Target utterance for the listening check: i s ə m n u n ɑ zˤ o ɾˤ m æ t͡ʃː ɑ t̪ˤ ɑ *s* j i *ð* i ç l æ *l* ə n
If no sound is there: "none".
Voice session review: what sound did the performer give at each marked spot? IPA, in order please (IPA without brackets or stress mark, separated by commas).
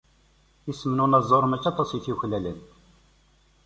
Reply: s, θ, l